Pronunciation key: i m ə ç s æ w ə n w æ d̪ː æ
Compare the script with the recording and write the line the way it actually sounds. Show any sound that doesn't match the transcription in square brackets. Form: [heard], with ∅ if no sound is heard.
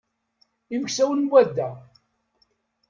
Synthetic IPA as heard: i m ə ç s æ w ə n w æ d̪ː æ